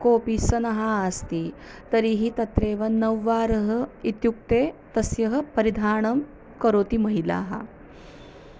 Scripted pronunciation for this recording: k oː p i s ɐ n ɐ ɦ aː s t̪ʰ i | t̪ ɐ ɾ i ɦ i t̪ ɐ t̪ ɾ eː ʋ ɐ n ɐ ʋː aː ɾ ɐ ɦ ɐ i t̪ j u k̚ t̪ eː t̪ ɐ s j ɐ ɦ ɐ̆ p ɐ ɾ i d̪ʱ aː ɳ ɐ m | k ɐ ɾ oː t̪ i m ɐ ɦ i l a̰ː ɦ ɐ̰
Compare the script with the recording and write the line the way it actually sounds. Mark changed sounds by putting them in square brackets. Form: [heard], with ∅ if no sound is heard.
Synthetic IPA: k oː p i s ɐ n ɐ ɦ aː s [t̪] i | t̪ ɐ ɾ i ɦ i t̪ ɐ t̪ ɾ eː ʋ ɐ n ɐ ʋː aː ɾ ɐ ɦ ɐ i t̪ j u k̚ t̪ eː t̪ ɐ s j ɐ ɦ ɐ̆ p ɐ ɾ i d̪ʱ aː ɳ ɐ m | k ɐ ɾ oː t̪ i m ɐ ɦ i l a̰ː ɦ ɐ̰